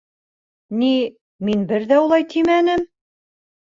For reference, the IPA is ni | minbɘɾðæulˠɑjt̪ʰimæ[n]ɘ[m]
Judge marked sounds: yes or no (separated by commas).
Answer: yes, yes